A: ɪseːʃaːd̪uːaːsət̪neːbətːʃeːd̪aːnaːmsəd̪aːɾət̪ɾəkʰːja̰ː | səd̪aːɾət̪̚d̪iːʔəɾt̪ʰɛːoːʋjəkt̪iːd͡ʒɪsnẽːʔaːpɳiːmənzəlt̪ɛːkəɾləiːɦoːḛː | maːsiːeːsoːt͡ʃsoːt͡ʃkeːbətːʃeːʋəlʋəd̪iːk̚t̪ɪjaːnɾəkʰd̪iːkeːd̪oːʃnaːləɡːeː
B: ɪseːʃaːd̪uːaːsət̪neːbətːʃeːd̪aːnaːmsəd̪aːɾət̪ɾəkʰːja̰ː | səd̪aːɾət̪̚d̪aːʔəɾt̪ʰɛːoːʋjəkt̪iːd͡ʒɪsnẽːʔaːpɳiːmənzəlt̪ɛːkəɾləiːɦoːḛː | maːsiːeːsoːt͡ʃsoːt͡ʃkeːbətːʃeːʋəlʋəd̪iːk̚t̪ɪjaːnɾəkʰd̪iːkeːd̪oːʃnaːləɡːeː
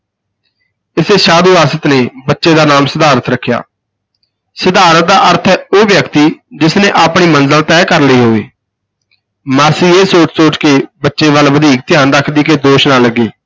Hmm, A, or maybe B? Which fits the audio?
B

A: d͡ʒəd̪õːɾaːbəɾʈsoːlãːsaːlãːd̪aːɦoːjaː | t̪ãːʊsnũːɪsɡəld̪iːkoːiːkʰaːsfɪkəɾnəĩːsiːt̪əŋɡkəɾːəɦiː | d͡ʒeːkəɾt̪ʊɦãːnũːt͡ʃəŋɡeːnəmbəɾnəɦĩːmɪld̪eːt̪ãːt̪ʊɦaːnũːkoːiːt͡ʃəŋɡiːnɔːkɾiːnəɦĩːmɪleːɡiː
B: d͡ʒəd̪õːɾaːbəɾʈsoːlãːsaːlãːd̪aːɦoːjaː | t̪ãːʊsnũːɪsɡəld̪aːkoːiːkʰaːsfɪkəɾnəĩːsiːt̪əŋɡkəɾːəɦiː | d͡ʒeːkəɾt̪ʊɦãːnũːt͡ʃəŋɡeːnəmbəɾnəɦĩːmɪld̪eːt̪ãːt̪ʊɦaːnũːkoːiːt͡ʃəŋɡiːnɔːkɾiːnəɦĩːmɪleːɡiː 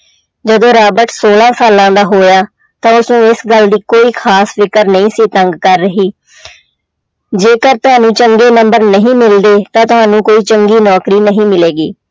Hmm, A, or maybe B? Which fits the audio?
A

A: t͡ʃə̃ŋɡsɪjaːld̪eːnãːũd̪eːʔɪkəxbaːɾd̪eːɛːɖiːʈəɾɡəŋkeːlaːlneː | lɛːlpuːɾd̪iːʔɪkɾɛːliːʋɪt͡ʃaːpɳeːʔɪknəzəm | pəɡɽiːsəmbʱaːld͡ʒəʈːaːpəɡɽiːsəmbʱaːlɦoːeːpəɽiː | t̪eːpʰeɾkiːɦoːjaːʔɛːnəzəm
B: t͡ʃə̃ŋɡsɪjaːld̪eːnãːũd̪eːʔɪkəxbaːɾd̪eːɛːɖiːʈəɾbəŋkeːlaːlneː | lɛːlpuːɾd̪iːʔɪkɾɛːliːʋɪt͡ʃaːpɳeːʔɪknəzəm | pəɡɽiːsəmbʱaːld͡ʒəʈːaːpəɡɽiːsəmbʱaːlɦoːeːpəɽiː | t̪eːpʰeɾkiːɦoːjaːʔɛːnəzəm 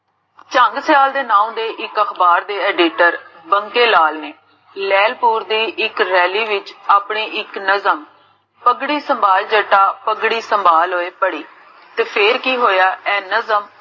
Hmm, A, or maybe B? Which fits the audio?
B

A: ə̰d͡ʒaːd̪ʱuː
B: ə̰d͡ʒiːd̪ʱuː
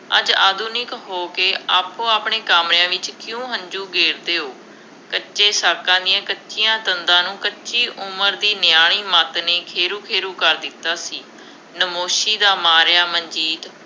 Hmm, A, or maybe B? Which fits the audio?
A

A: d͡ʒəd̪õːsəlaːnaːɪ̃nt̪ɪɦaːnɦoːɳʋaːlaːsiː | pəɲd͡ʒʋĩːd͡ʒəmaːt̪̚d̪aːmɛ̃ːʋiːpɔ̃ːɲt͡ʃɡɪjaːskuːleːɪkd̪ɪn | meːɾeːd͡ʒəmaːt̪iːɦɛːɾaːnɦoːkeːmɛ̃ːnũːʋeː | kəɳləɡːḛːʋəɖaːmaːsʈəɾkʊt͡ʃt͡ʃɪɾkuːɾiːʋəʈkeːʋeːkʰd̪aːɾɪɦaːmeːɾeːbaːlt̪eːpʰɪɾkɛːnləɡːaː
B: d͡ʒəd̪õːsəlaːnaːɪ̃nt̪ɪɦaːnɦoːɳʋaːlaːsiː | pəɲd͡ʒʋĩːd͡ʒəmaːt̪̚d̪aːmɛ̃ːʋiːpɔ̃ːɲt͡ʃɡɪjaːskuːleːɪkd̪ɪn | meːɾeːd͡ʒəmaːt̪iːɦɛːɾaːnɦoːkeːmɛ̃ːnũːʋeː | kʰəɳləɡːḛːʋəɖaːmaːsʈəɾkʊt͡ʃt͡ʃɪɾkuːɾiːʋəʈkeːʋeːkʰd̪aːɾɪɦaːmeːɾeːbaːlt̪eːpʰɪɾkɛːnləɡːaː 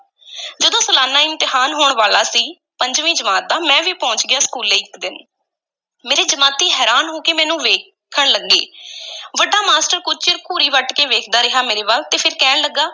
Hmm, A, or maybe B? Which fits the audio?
B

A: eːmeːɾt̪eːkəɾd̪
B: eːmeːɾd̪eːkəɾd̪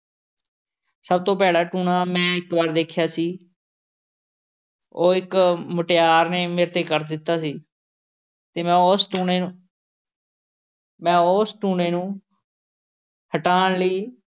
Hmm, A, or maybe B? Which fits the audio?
A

